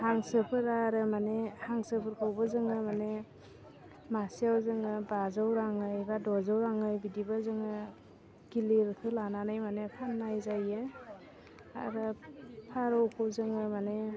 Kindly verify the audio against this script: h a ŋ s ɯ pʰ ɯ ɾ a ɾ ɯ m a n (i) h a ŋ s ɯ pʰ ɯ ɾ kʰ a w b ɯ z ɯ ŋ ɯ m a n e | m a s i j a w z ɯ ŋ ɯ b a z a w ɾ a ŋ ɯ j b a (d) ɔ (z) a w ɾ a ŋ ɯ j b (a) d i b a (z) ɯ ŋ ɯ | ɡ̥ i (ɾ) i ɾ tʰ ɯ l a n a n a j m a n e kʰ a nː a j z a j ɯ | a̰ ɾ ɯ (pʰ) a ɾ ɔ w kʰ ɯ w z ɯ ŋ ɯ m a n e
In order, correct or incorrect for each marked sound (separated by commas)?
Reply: incorrect, correct, correct, incorrect, correct, incorrect, correct